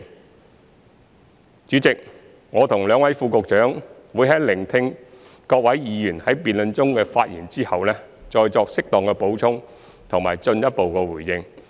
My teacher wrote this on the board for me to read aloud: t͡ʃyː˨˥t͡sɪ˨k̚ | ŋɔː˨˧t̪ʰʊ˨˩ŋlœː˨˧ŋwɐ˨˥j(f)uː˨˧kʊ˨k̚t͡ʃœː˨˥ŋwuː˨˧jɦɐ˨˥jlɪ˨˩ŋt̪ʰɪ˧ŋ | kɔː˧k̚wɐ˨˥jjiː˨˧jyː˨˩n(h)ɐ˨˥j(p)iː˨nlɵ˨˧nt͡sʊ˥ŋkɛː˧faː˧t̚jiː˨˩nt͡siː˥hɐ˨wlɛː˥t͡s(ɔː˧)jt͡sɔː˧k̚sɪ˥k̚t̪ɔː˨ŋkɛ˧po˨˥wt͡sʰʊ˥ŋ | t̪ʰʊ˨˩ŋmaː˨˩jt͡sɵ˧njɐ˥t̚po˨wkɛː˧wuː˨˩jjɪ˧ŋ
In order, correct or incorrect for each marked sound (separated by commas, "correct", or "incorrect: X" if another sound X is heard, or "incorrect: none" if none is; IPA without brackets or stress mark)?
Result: correct, correct, correct, correct